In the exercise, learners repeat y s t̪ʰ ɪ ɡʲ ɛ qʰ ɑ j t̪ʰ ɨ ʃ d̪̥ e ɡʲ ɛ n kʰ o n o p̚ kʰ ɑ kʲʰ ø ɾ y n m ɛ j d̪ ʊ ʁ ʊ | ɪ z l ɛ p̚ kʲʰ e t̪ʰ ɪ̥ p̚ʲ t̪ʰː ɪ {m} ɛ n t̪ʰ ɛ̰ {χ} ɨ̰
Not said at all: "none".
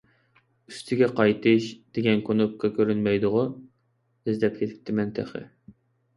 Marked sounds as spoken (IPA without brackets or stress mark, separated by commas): m, χ